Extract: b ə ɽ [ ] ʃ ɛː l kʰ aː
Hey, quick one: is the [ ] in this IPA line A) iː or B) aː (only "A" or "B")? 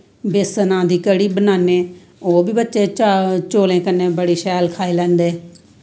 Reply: A